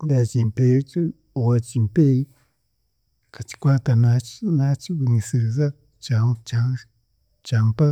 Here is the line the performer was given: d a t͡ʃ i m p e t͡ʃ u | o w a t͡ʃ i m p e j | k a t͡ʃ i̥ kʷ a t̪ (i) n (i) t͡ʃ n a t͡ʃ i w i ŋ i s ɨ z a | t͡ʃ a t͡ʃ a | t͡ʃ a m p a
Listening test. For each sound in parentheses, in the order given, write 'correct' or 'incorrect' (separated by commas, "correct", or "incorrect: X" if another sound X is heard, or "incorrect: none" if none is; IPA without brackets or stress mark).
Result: incorrect: a, incorrect: a